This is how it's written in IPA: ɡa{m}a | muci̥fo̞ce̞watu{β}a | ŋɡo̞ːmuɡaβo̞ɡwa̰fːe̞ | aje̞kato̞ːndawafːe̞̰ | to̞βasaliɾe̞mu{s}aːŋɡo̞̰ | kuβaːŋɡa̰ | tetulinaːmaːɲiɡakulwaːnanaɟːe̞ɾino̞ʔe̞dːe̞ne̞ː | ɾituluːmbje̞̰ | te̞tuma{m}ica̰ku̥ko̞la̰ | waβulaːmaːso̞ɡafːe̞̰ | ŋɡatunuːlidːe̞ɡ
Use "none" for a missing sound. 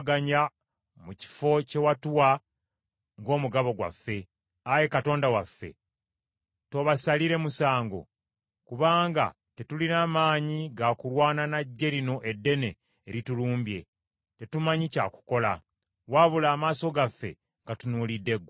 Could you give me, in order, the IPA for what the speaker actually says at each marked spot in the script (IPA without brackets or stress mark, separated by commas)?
ɲ, w, s, ɲ